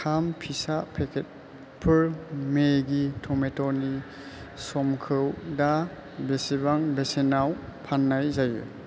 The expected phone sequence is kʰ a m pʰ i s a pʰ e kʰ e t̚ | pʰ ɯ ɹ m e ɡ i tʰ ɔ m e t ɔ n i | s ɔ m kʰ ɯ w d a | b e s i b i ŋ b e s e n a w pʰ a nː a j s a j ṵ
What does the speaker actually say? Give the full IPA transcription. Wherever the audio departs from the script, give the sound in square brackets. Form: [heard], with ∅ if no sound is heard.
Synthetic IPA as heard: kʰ a m pʰ i s a pʰ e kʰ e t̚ | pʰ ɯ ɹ m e ɡ i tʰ ɔ m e t ɔ n i | s ɔ m kʰ ɯ w d a | b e s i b [a] ŋ b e s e n a w pʰ a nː a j [z] a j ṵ

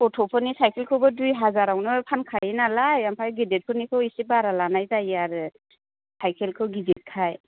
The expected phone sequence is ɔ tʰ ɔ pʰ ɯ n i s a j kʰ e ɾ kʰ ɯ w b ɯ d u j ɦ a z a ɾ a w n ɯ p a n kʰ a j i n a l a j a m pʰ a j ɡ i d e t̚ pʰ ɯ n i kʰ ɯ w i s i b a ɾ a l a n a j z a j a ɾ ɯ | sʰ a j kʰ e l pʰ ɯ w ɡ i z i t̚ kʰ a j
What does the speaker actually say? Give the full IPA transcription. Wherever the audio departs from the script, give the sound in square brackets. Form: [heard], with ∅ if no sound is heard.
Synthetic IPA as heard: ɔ tʰ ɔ pʰ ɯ n i s a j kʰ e [l] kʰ ɯ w b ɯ d u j ɦ a z a ɾ a w n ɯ [pʰ] a n kʰ a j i n a l a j a m pʰ a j ɡ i d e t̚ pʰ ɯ n i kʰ ɯ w i s i b a ɾ a l a n a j z a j a ɾ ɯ | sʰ a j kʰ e l [kʰ] ɯ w ɡ i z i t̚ kʰ a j

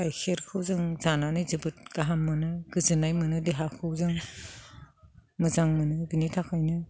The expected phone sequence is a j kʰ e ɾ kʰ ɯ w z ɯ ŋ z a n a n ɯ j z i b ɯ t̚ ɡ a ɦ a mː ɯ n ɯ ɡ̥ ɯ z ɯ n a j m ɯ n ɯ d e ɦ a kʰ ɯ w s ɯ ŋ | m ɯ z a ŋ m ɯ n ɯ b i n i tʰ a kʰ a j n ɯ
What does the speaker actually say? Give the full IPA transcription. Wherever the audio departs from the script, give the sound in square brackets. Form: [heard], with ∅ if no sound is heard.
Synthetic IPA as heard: a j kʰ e ɾ kʰ ɯ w z ɯ ŋ z a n a n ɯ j z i b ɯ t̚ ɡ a ɦ a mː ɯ n ɯ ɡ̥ ɯ z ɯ n a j m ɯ n ɯ d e ɦ a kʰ ɯ w [z] ɯ ŋ | m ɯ z a ŋ m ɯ n ɯ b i n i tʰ a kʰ a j n ɯ

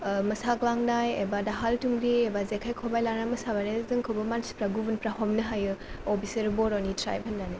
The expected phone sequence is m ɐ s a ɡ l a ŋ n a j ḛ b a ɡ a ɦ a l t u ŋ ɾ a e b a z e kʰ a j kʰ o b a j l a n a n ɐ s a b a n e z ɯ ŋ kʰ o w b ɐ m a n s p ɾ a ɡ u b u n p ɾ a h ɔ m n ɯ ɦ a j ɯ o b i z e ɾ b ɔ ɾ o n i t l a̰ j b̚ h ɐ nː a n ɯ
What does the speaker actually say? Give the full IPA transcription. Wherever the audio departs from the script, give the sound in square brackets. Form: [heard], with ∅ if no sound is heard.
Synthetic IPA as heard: m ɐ s a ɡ l a ŋ n a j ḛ b a [d] a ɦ a l t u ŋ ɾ [i] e b a z e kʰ a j kʰ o b a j l a n a [m] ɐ s a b a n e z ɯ ŋ kʰ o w b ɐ m a n s p ɾ a ɡ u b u n p ɾ a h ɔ m n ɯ ɦ a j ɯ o b i [s] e ɾ b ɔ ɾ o n i t [ɾ] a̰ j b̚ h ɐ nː a n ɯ

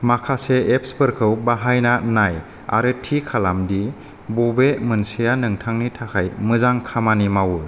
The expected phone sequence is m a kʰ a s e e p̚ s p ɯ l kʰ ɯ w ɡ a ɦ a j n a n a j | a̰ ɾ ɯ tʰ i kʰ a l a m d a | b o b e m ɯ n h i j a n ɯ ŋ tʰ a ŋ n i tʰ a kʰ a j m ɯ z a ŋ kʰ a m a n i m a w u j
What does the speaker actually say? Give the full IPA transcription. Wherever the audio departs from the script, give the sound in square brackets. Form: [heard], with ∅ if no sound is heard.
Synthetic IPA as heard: m a kʰ a s e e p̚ s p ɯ [ɾ] kʰ ɯ w [b] a ɦ a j n a n a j | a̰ ɾ ɯ tʰ i kʰ a l a m d [i] | b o b e m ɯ n [s] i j a n ɯ ŋ tʰ a ŋ n i tʰ a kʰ a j m ɯ z a ŋ kʰ a m a n i m a w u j

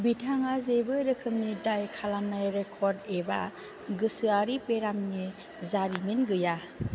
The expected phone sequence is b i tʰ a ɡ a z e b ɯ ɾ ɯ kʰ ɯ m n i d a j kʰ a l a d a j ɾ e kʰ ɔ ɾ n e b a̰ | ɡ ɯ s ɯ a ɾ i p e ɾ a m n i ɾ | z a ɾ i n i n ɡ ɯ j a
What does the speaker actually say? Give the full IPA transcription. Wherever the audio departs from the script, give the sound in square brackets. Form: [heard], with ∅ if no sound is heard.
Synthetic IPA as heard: b i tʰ a [ŋ] a z e b ɯ ɾ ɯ kʰ ɯ m n i d a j kʰ a l a [n] a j ɾ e kʰ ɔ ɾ [d] e b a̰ | ɡ ɯ s ɯ a ɾ i p e ɾ a m n i [∅] | z a ɾ i [m] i n ɡ ɯ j a

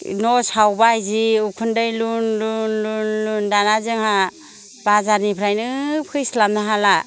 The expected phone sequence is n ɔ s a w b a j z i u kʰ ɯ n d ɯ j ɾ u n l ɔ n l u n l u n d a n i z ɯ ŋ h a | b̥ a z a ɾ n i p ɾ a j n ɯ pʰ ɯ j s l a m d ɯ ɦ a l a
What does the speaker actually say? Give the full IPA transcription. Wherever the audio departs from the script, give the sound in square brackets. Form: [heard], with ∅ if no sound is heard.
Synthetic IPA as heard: n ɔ s a w b a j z i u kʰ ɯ n d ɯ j [l] u n l [u] n l u n l u n d a n [a] z ɯ ŋ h a | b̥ a z a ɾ n i [pʰ] ɾ a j n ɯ pʰ ɯ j s l a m [n] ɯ ɦ a l a

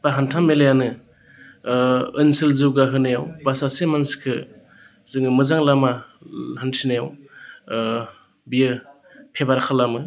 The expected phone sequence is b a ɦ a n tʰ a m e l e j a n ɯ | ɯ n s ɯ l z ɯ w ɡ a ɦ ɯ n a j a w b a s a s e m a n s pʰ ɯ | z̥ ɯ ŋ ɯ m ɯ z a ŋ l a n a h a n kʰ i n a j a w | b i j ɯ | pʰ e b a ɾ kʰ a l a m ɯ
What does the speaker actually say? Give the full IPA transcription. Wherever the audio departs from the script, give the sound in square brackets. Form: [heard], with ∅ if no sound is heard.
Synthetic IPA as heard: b a ɦ a n tʰ a m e l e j a n ɯ | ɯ n s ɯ l z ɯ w ɡ a ɦ ɯ n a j a w b a s a s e m a n s [kʰ] ɯ | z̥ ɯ ŋ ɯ m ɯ z a ŋ l a [m] a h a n [tʰ] i n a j a w | b i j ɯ | pʰ e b a ɾ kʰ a l a m ɯ

